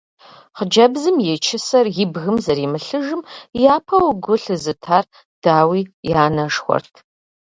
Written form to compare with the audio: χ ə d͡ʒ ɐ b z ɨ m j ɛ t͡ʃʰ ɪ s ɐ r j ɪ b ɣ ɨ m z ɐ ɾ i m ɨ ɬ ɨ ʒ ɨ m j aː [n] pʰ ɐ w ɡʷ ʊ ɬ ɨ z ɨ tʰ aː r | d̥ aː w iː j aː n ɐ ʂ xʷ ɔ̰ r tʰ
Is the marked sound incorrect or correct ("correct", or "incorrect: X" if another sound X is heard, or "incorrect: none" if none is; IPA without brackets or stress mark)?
incorrect: none